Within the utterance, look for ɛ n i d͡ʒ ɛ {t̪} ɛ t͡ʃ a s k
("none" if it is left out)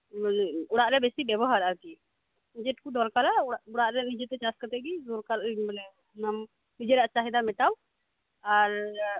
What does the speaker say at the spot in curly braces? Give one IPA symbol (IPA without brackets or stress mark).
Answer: t̪